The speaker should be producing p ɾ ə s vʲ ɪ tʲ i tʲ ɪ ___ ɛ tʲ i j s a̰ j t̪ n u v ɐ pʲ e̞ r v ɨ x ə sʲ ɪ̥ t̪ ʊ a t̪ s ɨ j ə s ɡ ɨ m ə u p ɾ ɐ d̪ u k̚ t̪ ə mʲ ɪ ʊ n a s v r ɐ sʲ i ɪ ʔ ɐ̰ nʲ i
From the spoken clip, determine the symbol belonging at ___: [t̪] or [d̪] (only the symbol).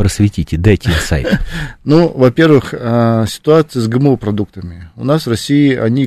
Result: d̪